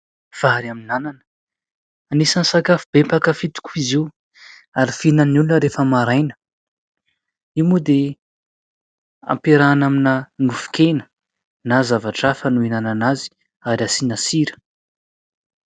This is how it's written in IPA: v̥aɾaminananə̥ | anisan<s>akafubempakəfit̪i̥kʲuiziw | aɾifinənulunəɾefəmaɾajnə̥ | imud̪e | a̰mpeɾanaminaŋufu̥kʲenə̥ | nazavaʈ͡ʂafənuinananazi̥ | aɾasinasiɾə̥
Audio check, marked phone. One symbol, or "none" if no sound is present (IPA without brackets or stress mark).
s